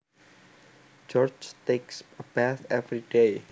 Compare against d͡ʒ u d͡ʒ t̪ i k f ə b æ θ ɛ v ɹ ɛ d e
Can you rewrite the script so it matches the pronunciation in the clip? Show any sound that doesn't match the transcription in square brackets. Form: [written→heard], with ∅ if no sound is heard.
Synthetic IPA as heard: d͡ʒ [u→ɔ] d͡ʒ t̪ [i→e] k [f→s] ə b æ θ ɛ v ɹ [ɛ→i] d e

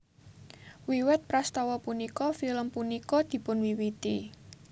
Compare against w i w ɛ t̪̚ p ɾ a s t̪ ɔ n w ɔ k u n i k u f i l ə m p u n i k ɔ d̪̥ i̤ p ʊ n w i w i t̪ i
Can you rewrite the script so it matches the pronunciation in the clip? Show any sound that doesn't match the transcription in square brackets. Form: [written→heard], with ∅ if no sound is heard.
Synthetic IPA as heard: w i w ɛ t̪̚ p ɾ a s t̪ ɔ [n→∅] w ɔ [k→p] u n i k [u→ɔ] f i l ə m p u n i k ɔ d̪̥ i̤ p ʊ n w i w i t̪ i

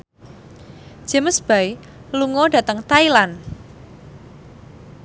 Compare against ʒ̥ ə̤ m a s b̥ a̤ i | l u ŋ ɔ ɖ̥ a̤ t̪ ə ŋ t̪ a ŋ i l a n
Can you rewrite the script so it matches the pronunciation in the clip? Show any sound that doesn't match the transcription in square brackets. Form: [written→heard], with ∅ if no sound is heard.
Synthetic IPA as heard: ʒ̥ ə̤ m [a→ə] s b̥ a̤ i | l u ŋ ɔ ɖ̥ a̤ t̪ ə ŋ t̪ a [ŋ→∅] i l a n

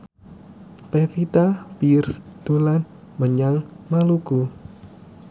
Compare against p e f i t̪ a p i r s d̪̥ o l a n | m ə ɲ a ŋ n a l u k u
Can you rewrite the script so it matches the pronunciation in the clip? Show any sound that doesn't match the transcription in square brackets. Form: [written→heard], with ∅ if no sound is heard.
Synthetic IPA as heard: p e f i t̪ a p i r s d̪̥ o l a n | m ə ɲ a ŋ [n→m] a l u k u

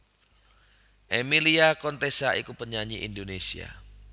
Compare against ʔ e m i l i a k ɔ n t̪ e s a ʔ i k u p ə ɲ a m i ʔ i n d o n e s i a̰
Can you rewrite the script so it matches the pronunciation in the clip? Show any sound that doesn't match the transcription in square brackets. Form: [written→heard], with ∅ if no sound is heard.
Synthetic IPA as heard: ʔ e m i l i a k ɔ n t̪ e s a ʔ i k u p ə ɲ a [m→ɲ] i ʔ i n d o n e s i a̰

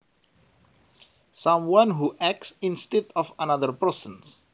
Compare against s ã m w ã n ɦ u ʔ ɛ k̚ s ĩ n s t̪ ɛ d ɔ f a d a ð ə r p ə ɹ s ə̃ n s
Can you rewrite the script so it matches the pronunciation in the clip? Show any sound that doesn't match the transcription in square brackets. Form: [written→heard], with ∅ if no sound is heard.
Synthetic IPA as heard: s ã m w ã n ɦ u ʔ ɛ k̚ s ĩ n s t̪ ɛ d ɔ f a [d→n] a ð ə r p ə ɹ s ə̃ n s

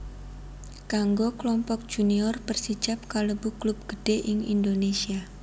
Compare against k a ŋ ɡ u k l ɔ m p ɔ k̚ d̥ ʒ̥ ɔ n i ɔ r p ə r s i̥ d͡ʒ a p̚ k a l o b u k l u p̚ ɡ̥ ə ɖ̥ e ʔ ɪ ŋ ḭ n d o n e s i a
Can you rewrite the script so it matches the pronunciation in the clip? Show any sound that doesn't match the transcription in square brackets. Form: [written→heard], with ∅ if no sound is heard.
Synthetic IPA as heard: k a ŋ ɡ [u→o] k l ɔ m p ɔ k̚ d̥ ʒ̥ [ɔ→u] n i ɔ r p ə r s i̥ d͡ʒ a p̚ k a l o b u k l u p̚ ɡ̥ ə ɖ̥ e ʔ ɪ ŋ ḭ n d o n e s i a

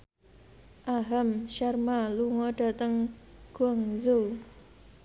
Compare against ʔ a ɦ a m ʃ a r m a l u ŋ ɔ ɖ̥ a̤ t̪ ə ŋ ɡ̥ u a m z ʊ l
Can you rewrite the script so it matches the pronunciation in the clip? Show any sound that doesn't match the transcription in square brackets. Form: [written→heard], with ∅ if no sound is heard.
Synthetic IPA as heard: ʔ a ɦ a m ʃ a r m a l u ŋ ɔ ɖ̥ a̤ t̪ ə ŋ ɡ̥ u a [m→ŋ] z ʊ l

